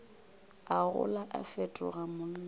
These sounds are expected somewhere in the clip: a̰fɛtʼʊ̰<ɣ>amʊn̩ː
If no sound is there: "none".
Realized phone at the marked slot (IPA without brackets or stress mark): ɣ